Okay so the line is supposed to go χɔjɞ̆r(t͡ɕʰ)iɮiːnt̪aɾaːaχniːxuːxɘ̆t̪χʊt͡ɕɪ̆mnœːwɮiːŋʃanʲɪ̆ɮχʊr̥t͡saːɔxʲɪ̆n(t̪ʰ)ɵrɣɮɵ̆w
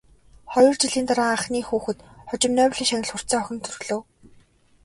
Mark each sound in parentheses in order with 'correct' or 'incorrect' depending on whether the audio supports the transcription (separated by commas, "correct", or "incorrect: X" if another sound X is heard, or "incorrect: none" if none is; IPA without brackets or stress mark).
incorrect: t͡ɕ, correct